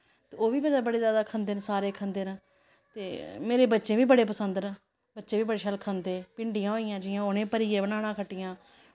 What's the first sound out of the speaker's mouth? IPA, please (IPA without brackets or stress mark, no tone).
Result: t̪